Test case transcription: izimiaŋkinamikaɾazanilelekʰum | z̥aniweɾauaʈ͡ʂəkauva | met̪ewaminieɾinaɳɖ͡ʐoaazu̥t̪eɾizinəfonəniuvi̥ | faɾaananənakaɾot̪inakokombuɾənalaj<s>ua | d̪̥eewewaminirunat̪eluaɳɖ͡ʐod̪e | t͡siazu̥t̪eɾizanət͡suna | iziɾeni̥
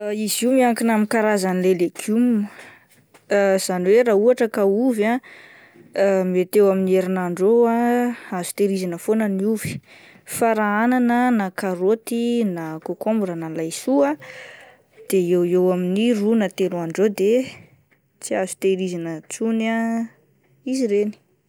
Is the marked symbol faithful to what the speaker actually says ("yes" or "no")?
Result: yes